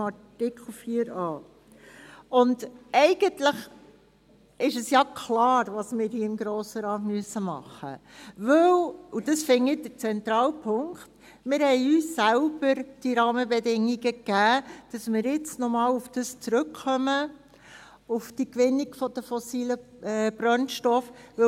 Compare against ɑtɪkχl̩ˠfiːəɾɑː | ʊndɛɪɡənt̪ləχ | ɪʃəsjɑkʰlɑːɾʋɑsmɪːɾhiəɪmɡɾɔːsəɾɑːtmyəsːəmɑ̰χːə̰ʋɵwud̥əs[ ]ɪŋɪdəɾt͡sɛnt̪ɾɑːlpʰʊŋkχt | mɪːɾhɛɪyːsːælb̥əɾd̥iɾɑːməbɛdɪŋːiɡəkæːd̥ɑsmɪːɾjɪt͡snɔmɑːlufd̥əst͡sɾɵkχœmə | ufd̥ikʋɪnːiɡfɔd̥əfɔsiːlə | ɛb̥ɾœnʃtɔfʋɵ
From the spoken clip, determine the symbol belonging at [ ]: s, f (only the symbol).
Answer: f